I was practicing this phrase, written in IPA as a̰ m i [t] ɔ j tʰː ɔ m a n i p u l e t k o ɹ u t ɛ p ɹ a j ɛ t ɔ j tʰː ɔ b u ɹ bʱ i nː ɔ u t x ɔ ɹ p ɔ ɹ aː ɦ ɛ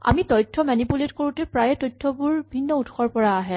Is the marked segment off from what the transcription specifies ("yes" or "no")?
no